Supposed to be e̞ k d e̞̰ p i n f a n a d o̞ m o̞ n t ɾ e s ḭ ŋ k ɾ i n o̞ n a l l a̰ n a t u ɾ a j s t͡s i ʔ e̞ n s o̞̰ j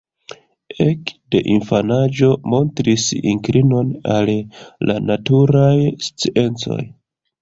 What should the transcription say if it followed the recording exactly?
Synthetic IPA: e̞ k d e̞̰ ʔ i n f a n a d͡ʒ o̞ m o̞ n t ɾ i s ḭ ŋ k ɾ i n o̞ n a l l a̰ n a t u ɾ a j s t͡s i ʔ e̞ n t͡s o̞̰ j